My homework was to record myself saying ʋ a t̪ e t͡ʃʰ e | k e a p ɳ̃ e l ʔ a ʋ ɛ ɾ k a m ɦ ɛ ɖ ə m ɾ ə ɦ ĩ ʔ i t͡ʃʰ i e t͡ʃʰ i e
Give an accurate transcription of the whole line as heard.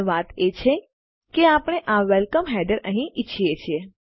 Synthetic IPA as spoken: ʋ a t̪ e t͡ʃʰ e | k e a p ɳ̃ e ʔ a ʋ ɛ l k ə m ɦ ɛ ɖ ə ɾ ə ɦ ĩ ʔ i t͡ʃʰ i e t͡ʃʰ i e